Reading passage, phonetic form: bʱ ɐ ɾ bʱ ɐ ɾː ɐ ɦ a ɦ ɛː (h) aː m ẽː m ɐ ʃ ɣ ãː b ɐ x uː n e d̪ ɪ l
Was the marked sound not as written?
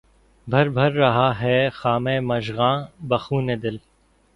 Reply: yes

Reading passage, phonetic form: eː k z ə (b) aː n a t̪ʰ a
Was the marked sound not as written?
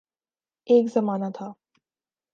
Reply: yes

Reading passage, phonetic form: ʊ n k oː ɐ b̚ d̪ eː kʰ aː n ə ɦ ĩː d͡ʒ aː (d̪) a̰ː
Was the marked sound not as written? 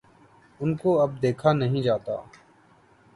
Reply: yes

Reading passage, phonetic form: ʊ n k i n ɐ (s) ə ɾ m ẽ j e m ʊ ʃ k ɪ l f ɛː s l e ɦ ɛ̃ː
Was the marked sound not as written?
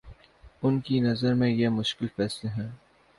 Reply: yes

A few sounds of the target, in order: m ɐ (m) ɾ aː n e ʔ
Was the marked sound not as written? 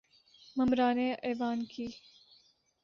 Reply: no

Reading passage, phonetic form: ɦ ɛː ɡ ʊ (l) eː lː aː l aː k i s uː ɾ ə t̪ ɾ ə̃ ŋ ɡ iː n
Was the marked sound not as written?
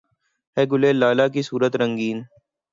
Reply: no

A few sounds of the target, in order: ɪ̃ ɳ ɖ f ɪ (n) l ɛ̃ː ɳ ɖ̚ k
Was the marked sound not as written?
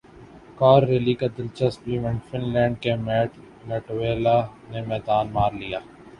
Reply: no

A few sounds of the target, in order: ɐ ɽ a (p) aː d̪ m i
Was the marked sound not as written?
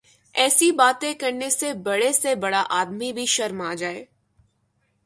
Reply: yes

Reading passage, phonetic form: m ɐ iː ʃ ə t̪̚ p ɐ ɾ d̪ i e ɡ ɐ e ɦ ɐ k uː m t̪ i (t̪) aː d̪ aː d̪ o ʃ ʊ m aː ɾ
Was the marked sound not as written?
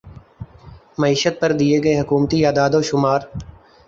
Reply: yes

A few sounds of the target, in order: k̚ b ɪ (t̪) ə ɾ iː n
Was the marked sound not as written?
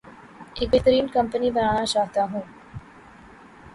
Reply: no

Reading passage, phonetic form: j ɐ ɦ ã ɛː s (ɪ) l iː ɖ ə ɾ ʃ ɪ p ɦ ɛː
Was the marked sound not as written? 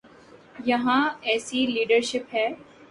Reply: yes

